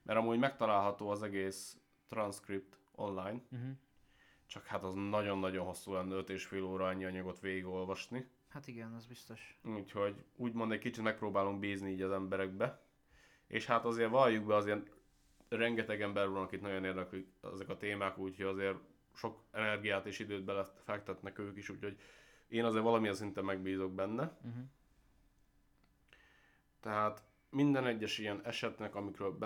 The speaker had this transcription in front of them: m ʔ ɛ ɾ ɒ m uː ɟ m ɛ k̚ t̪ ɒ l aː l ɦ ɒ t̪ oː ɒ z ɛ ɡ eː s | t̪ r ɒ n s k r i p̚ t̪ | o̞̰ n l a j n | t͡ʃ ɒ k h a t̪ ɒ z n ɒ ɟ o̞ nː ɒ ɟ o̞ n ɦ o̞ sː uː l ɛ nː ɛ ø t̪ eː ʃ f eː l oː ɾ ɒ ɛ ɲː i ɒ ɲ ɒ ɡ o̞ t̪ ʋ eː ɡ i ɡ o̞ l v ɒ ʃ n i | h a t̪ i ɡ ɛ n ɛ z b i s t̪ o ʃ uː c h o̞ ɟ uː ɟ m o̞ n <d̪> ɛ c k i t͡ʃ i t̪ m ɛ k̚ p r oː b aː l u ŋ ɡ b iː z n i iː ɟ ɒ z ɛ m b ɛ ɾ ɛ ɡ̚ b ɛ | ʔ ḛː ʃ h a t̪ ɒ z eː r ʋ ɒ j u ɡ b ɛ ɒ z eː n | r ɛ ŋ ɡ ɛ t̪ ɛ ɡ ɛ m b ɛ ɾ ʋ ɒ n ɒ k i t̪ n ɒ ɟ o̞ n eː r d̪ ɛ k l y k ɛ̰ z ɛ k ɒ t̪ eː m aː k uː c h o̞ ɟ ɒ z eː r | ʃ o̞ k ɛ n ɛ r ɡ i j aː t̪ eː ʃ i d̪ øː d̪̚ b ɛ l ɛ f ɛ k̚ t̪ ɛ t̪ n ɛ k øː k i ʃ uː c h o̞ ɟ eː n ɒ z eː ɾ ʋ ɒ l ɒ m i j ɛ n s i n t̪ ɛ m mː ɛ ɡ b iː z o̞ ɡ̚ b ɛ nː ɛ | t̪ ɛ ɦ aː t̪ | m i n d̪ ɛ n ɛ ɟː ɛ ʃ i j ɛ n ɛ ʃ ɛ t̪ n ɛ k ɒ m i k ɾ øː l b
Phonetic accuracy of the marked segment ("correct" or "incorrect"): correct